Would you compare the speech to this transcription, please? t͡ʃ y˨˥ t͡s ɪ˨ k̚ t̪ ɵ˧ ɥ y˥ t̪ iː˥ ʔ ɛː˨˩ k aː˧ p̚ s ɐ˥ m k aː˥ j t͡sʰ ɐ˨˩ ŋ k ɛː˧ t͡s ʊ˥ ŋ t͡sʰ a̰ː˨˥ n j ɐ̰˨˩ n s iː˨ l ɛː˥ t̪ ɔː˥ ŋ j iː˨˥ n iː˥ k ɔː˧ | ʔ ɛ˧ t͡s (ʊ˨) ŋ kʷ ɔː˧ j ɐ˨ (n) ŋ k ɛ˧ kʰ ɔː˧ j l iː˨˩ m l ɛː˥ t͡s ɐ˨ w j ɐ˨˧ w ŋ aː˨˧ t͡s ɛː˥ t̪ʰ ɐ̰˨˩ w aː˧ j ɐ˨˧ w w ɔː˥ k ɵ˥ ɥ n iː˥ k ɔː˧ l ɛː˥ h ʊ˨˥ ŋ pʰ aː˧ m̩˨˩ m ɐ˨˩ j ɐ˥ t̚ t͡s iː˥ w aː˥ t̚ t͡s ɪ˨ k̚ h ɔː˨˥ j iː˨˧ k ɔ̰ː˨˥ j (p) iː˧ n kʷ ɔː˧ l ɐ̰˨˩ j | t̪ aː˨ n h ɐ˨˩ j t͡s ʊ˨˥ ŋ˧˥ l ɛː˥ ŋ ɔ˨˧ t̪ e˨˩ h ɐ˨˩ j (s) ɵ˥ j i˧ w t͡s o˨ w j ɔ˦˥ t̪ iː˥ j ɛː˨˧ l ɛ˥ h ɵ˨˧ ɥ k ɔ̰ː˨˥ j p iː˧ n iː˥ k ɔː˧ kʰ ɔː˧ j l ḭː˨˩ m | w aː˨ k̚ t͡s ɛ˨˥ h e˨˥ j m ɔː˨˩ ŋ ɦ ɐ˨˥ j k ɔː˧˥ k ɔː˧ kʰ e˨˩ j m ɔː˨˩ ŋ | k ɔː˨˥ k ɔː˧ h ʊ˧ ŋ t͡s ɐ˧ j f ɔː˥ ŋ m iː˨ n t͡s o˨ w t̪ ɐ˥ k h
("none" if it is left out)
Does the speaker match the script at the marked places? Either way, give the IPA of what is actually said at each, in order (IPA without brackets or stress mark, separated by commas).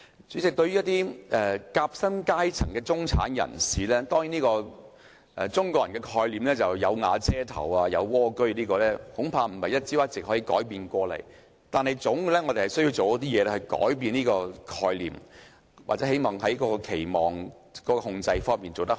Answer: ʊ˥, n, p, s